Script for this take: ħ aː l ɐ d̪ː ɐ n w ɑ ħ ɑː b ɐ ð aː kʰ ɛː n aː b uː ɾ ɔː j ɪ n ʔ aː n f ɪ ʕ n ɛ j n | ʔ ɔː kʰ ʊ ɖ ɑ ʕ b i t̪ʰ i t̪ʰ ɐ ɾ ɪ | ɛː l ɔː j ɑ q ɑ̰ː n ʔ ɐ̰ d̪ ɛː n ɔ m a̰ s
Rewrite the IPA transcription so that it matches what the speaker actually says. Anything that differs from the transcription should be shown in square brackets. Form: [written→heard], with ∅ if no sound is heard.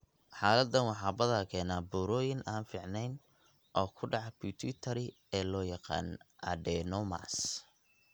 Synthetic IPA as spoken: ħ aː l ɐ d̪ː ɐ n w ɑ ħ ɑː b ɐ ð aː kʰ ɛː n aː b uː ɾ ɔː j ɪ n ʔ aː n f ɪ ʕ n ɛ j n | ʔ ɔː kʰ ʊ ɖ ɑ ʕ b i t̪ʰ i t̪ʰ ɐ ɾ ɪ | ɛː l ɔː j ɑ q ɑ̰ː n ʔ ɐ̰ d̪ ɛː n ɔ m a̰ s